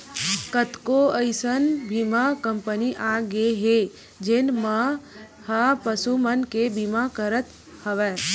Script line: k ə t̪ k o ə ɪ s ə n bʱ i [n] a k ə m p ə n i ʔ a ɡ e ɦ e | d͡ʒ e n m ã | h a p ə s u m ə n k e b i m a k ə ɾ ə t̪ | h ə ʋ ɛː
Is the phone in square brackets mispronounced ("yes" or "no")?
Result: yes